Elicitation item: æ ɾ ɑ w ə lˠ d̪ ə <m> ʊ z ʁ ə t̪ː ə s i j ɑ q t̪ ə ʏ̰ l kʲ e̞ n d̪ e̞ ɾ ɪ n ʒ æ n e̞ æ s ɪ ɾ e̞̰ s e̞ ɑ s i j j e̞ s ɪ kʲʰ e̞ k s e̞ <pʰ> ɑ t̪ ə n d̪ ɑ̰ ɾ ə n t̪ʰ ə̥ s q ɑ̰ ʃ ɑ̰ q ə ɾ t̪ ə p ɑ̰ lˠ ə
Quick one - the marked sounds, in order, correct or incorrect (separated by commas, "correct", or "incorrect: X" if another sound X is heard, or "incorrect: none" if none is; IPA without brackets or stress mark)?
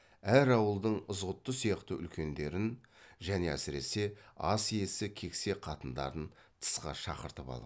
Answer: incorrect: ɴ, incorrect: qʰ